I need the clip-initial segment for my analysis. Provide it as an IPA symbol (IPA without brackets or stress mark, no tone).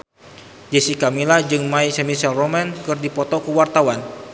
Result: d͡ʒ